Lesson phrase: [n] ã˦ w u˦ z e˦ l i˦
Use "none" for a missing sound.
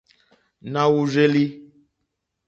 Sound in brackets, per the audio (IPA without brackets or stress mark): n